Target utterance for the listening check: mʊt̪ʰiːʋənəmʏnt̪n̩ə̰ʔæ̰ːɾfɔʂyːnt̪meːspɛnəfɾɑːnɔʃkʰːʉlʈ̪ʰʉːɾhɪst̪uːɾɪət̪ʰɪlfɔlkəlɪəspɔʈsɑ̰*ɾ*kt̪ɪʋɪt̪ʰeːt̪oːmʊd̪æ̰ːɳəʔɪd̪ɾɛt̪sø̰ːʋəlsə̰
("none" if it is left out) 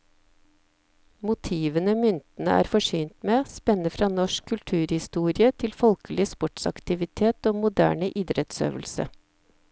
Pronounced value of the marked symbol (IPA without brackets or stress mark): none